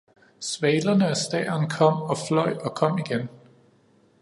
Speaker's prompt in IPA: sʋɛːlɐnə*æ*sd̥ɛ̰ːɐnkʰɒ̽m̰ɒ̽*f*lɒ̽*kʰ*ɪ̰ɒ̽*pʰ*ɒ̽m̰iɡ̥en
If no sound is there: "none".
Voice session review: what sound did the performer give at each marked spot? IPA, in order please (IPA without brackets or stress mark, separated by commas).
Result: æ, f, none, kʰ